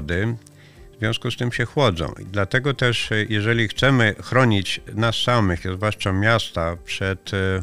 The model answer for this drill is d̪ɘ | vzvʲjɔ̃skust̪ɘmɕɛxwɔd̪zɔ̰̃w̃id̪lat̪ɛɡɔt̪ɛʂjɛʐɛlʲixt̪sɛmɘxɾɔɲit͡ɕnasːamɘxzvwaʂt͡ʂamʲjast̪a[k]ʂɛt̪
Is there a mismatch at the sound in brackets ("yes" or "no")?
yes